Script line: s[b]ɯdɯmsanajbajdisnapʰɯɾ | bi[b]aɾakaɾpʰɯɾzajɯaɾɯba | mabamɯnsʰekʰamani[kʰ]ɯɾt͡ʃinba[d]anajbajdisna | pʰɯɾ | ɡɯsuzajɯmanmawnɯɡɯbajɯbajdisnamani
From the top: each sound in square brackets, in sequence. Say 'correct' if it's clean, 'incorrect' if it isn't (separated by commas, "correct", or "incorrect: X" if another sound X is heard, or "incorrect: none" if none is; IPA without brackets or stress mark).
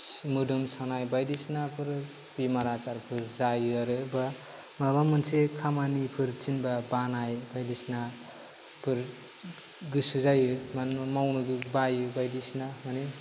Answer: incorrect: m, incorrect: m, incorrect: pʰ, incorrect: b